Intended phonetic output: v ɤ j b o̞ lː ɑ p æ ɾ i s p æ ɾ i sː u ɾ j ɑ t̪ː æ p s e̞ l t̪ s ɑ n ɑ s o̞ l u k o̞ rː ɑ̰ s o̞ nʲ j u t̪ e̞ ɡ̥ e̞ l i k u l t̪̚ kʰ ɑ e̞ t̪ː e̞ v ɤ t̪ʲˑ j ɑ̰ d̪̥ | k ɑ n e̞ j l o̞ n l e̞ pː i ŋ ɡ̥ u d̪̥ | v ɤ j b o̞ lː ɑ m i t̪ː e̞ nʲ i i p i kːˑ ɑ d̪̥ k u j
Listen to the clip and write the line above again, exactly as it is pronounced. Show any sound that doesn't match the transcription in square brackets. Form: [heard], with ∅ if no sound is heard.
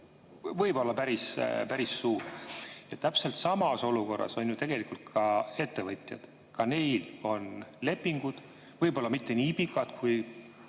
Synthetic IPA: v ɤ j b o̞ lː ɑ p æ ɾ i s p æ ɾ i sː [uː] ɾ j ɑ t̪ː æ p s e̞ l t̪ s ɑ [m] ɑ s o̞ l u k o̞ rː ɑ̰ s o̞ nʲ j u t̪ e̞ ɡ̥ e̞ l i k u l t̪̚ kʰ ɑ e̞ t̪ː e̞ v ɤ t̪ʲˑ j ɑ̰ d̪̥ | k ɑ n e̞ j l o̞ n l e̞ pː i ŋ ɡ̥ u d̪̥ | v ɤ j b o̞ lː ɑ m i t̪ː e̞ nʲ i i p i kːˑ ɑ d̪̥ k u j